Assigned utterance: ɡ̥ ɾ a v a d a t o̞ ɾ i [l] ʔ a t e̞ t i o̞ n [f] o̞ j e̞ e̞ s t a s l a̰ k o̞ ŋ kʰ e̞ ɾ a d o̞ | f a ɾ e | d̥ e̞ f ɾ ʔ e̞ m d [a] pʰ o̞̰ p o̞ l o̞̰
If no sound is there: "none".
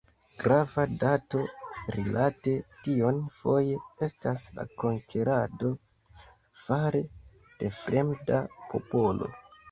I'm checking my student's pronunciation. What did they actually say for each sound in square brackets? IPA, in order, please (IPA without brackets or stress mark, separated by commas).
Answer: l, f, a